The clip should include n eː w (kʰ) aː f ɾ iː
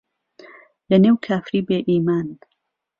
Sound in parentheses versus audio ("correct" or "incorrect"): correct